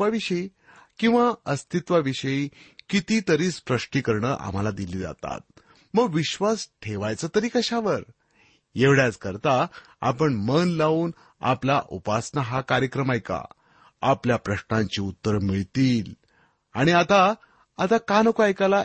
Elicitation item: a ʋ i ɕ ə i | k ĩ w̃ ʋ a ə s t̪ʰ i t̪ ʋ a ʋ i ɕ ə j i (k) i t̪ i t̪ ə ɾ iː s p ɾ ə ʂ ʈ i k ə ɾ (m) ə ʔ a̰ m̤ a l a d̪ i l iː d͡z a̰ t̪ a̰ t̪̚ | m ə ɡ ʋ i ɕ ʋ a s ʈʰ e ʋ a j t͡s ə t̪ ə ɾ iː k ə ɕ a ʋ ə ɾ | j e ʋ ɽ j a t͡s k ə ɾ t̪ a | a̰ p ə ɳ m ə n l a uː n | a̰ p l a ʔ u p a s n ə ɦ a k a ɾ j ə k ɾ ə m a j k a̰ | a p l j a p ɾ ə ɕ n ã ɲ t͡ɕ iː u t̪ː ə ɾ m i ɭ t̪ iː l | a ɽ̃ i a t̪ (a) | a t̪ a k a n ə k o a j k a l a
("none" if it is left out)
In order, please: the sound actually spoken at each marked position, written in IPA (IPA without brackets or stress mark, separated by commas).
k, ɳ, a